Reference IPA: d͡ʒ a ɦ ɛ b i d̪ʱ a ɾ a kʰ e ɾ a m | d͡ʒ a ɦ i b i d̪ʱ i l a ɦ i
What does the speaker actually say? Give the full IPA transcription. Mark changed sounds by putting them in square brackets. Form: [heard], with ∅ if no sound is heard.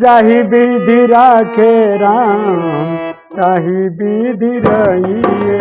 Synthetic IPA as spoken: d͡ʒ a ɦ [i] b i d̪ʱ [i] ɾ a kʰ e ɾ a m | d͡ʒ a ɦ i b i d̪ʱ i [ɾ] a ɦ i